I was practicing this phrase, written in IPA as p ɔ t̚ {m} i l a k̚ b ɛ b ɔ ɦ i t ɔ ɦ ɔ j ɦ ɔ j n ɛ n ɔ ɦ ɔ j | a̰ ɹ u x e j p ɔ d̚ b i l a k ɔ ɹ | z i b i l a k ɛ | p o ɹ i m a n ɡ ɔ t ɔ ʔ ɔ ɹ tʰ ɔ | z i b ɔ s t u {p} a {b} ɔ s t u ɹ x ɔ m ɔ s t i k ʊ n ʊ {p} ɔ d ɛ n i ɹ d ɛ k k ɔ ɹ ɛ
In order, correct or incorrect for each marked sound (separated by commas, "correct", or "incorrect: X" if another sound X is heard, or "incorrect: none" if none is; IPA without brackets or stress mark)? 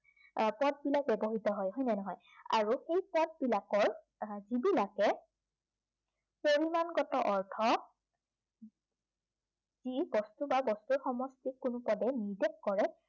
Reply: incorrect: b, incorrect: b, correct, correct